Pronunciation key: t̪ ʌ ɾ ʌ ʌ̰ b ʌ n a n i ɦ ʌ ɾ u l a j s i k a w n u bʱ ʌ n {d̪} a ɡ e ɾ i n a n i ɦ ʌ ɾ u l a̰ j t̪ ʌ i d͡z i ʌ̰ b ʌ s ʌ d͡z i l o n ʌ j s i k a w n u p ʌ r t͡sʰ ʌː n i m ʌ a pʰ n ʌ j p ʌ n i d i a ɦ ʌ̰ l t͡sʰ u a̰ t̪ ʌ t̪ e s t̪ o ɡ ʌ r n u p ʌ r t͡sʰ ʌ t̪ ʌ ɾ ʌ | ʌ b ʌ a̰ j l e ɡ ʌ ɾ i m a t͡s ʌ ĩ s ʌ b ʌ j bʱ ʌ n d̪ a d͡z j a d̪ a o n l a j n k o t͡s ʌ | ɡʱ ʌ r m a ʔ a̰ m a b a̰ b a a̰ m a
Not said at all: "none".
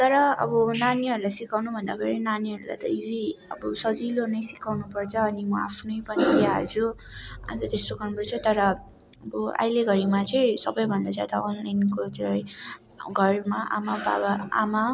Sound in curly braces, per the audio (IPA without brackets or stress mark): d̪